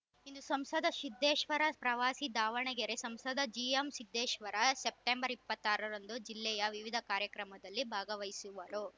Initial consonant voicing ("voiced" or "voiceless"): voiced